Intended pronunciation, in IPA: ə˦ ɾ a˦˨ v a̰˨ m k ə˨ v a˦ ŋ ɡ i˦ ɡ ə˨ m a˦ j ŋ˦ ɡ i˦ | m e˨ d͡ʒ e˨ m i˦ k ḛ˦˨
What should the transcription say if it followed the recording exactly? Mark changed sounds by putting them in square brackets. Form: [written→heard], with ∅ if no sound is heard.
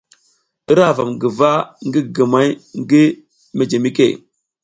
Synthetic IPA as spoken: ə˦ ɾ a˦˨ v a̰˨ m [k→ɡ] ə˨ v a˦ ŋ ɡ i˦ ɡ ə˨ m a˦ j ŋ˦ ɡ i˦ | m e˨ d͡ʒ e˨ m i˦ k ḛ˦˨